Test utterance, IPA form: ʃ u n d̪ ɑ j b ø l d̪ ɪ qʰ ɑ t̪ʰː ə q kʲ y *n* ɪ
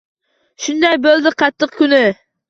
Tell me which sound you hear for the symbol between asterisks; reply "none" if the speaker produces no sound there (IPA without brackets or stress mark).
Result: n